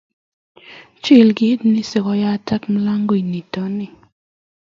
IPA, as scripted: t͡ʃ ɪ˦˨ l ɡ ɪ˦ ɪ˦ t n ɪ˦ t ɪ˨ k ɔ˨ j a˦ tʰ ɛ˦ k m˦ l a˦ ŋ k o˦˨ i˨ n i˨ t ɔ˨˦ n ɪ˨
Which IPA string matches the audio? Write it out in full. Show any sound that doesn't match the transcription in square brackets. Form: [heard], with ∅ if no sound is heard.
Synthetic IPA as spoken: t͡ʃ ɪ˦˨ l ɡ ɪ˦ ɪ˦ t n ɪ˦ [s] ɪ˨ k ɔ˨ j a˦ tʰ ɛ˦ k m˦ l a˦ ŋ [ɡ] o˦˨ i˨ n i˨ t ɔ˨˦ n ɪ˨